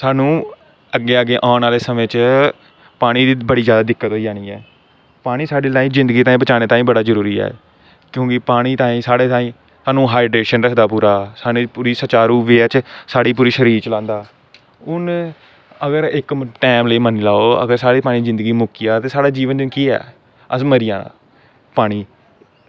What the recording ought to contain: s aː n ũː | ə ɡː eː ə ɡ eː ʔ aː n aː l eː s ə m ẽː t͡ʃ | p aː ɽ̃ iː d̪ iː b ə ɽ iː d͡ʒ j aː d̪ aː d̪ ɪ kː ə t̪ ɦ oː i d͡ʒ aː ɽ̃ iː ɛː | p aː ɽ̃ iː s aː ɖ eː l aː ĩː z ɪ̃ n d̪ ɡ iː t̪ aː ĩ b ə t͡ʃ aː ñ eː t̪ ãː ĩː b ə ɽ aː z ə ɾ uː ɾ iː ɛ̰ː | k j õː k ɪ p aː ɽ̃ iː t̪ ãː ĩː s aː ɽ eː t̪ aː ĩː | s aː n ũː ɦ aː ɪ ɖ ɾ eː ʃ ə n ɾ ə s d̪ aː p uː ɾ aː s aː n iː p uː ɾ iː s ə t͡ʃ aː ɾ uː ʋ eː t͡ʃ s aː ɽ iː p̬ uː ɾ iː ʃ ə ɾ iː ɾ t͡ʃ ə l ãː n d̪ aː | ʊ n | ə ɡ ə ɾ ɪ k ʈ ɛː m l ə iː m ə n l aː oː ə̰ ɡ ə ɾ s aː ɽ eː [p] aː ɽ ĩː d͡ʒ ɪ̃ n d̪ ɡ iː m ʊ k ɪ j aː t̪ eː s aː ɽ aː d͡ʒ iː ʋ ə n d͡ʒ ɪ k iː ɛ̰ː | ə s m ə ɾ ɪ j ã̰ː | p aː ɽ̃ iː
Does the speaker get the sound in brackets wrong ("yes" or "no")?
no